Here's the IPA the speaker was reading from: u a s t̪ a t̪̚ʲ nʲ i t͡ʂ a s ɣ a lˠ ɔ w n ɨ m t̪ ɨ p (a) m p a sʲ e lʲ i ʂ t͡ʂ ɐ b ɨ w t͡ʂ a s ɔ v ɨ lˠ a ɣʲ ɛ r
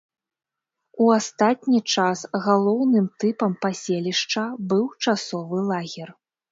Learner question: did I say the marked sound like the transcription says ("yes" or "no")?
no